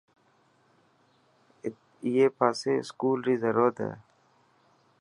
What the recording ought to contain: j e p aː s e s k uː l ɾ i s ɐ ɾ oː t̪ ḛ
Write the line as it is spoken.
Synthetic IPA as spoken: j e p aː s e s k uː l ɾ i z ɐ ɾ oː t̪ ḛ